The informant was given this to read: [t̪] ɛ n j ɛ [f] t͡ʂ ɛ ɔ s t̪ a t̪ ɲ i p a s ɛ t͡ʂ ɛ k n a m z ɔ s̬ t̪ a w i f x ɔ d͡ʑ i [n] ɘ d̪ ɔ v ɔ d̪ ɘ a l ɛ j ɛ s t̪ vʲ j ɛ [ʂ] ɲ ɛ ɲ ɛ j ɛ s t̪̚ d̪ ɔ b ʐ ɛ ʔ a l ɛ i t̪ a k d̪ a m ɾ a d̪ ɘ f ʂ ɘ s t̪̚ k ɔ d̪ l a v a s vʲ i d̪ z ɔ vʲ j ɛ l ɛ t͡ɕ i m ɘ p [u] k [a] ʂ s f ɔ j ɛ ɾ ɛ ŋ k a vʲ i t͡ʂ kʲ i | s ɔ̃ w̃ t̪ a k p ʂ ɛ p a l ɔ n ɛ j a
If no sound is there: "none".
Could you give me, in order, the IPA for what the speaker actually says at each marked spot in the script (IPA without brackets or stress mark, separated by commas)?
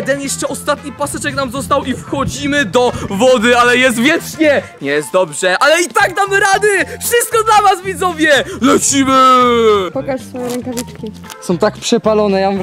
d̪, ʂ, m, t͡ʂ, ɔ, a